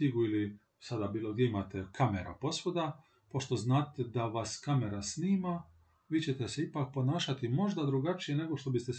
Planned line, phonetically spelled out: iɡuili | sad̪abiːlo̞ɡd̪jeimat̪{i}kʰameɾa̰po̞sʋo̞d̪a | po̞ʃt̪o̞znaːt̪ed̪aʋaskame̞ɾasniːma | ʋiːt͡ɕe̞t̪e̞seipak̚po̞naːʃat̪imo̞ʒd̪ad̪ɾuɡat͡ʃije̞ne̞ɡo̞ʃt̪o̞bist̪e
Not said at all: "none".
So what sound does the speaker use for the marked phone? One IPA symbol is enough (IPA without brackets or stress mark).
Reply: e